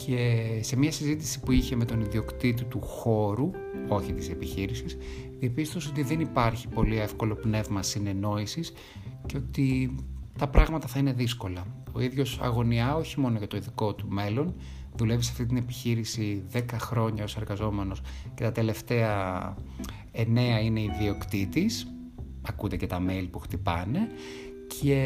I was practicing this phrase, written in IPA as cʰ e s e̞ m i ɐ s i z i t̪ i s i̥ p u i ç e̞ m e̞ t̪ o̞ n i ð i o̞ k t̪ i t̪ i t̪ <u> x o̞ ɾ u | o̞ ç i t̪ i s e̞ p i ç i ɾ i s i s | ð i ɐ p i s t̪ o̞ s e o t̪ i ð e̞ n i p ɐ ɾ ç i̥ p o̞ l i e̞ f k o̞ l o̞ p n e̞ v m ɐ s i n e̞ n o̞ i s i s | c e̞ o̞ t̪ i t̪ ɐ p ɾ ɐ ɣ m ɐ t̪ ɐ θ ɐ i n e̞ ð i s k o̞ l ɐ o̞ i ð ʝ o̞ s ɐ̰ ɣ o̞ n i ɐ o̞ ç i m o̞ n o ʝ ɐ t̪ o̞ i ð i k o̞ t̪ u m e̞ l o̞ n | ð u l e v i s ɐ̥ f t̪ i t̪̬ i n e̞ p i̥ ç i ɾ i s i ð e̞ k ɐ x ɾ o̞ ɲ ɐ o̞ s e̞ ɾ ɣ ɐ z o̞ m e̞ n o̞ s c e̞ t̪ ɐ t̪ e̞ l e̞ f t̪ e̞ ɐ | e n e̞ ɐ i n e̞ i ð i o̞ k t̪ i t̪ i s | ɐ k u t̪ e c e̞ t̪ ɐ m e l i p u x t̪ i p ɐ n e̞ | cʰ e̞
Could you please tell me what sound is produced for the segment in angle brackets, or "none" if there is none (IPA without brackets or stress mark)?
u